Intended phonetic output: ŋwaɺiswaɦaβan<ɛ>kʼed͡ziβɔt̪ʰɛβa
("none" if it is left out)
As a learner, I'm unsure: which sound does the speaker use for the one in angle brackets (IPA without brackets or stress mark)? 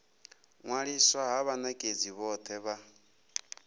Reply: a